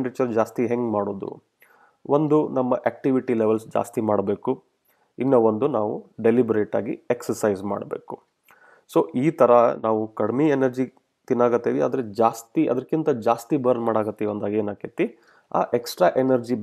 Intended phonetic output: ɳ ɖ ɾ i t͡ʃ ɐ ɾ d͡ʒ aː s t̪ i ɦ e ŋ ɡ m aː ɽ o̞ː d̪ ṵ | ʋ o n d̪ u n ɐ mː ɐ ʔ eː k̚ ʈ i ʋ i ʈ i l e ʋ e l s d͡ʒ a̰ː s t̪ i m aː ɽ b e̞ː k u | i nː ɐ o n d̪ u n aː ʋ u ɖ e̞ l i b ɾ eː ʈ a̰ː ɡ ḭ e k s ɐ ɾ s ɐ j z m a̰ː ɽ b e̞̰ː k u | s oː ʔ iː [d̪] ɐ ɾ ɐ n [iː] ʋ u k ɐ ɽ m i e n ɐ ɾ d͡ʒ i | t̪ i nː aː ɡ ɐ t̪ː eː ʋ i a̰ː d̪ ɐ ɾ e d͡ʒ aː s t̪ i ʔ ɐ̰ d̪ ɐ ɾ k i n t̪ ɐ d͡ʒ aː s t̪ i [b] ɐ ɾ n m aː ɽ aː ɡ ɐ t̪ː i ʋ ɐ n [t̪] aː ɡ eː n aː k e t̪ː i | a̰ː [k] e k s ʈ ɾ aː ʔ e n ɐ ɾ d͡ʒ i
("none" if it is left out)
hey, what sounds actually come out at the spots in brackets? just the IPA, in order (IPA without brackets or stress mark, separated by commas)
t̪, aː, b, d̪, ʔ